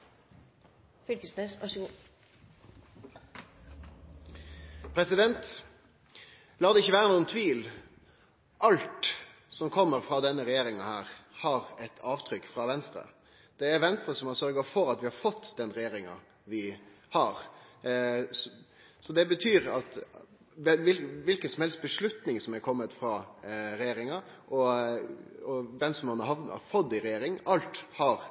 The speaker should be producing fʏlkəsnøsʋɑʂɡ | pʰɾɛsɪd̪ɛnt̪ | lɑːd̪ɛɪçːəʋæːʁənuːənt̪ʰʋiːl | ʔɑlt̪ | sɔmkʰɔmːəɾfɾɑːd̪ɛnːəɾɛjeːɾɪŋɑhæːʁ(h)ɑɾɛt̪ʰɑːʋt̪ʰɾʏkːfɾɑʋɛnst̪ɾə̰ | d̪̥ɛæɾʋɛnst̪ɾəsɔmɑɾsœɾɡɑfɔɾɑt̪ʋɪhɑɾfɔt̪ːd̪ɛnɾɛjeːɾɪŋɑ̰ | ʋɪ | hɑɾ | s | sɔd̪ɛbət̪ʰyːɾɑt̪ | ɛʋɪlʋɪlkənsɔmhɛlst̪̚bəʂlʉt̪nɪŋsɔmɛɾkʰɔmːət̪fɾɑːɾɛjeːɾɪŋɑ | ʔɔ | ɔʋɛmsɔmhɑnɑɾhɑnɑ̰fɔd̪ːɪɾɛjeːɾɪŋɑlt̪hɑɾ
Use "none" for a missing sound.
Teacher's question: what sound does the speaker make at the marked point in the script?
h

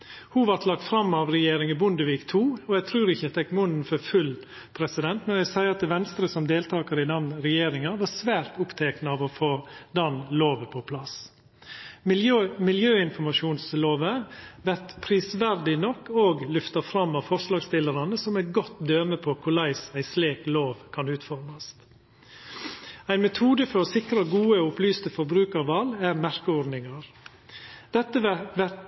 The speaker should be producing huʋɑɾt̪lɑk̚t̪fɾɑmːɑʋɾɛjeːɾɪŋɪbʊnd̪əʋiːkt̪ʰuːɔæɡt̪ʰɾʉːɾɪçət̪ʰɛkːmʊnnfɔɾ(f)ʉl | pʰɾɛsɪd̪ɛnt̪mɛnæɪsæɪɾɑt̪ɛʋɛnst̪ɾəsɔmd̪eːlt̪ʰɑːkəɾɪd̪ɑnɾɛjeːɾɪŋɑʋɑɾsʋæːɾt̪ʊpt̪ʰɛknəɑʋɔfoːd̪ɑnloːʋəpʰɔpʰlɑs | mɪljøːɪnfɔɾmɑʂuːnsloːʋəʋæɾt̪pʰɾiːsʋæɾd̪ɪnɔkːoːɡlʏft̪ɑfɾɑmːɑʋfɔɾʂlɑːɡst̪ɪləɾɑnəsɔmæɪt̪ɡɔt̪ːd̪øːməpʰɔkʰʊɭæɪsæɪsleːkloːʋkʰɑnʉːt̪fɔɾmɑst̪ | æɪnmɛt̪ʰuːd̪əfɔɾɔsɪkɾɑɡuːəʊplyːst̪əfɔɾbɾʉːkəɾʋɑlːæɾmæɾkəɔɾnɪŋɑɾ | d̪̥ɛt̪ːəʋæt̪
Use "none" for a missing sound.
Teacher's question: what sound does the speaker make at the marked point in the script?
f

